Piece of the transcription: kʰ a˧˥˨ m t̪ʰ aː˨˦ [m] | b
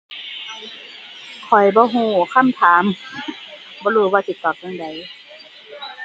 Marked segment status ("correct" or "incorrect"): correct